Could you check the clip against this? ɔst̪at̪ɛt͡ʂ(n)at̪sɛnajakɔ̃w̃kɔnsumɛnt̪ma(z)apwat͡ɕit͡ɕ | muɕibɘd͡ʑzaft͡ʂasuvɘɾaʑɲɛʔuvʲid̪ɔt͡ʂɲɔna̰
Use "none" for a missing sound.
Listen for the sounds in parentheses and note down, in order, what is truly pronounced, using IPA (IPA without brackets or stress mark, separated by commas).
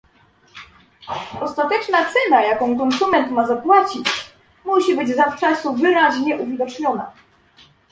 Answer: n, z